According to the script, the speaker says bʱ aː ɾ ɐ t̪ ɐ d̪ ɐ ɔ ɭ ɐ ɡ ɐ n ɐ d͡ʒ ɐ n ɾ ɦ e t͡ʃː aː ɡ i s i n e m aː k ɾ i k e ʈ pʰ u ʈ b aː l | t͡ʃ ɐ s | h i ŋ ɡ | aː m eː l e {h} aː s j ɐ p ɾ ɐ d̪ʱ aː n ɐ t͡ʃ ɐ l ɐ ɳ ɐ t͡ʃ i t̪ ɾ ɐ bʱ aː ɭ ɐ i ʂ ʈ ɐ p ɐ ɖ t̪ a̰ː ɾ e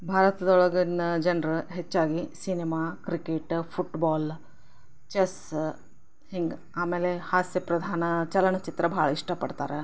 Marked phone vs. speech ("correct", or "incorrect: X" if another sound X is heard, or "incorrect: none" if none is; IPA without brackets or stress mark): correct